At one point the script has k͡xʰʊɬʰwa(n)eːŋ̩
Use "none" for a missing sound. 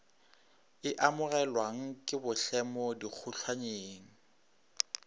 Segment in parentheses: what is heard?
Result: ɲ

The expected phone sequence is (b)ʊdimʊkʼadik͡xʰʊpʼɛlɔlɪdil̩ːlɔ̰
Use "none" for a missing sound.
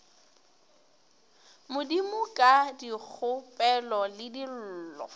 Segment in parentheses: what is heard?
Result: m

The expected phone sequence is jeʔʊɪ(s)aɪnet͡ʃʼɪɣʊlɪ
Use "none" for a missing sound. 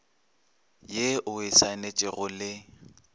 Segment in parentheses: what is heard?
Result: s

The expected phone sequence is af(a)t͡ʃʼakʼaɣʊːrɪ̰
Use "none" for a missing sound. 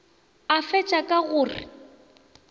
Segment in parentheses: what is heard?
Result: ɛ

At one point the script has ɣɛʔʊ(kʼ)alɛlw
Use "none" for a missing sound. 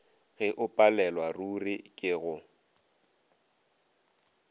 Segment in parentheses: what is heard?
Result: pʼ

